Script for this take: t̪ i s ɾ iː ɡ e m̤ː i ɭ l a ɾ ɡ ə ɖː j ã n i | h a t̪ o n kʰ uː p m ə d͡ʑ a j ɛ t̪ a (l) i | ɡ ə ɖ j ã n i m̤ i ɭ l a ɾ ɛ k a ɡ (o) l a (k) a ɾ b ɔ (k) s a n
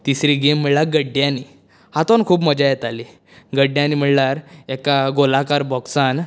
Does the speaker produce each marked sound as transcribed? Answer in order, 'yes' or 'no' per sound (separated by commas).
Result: yes, yes, yes, yes